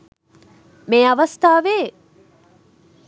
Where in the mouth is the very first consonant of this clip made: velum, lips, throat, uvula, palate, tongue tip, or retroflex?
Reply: lips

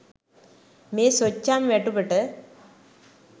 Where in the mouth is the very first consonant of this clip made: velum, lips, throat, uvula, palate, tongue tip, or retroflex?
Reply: lips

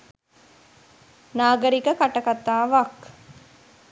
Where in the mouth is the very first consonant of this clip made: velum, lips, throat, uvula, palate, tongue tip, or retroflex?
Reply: tongue tip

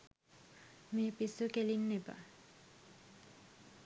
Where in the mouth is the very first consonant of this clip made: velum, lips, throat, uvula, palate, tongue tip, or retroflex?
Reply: lips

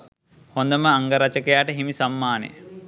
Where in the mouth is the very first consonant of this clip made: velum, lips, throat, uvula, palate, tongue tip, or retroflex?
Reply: throat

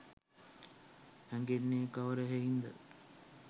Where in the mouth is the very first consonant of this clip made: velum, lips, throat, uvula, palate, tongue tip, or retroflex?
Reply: throat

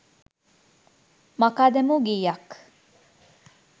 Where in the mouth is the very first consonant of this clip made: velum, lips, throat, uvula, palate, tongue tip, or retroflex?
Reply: lips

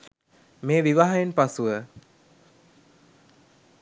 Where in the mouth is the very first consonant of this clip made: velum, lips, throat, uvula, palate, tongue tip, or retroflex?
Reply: lips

